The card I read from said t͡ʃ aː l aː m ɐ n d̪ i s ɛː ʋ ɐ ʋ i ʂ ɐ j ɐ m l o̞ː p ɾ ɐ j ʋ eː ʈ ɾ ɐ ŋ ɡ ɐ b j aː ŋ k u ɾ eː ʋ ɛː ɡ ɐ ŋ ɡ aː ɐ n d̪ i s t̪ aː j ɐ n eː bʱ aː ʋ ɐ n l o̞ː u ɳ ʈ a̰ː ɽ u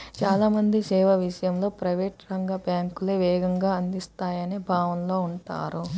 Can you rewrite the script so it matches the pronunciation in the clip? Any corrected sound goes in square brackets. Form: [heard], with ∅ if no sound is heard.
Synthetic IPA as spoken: t͡ʃ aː l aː m ɐ n d̪ i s ɛː ʋ ɐ ʋ i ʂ ɐ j ɐ m l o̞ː p ɾ ɐ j ʋ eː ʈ ɾ ɐ ŋ ɡ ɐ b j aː ŋ k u [l] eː ʋ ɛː ɡ ɐ ŋ ɡ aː ɐ n d̪ i s t̪ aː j ɐ n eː bʱ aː ʋ ɐ n l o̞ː u ɳ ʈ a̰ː [ɾ] u